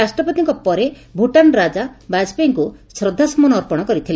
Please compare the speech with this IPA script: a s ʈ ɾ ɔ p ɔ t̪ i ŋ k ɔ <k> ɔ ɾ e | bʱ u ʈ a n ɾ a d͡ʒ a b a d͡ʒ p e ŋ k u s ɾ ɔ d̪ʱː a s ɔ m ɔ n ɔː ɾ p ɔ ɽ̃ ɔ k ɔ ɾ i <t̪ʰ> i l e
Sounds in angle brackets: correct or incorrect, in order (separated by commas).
incorrect, correct